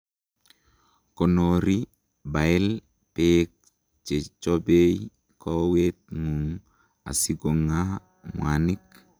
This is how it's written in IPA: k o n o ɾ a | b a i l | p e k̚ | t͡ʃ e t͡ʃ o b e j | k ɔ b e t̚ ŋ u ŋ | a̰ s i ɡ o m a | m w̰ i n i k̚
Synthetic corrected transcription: k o n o ɾ i | b a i l | p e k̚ | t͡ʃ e t͡ʃ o b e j | k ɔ w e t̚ ŋ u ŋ | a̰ s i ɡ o ŋ a | m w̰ a n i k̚